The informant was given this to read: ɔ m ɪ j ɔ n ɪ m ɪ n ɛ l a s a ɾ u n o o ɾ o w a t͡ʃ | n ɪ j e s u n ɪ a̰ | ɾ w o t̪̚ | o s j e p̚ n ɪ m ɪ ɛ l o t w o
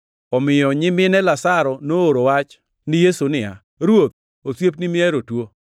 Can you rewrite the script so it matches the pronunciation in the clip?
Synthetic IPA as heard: ɔ m ɪ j ɔ ɲ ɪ m ɪ n ɛ l a s a ɾ ɔ n o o ɾ o w a t͡ʃ | n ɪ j e s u n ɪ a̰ | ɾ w o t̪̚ | o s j e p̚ n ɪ m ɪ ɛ ɾ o t w o